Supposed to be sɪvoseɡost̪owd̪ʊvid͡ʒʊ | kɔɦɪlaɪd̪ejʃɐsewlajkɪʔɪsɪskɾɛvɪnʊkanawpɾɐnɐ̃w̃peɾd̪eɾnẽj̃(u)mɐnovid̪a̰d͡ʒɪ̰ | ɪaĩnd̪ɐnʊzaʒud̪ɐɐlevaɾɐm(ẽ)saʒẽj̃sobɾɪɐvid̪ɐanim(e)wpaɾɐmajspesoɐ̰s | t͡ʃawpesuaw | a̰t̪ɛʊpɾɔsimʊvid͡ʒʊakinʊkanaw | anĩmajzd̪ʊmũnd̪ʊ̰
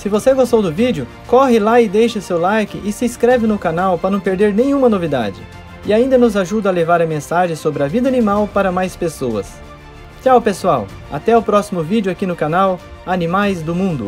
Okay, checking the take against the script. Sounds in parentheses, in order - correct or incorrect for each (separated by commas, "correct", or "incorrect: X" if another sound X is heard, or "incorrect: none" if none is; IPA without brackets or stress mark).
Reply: incorrect: ũ, correct, incorrect: a